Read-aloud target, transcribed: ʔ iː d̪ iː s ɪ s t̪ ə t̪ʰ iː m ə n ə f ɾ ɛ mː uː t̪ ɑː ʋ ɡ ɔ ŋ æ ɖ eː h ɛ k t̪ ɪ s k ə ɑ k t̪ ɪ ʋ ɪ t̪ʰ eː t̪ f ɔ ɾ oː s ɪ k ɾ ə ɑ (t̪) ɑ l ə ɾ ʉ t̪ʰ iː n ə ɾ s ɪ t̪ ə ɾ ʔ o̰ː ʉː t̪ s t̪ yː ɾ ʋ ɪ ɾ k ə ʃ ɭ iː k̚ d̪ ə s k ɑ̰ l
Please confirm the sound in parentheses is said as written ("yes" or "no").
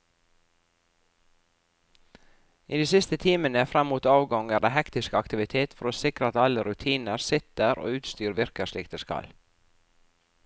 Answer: yes